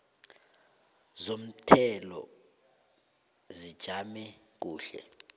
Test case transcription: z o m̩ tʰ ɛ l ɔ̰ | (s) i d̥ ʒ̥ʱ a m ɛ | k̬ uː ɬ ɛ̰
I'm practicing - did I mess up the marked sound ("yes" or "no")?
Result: yes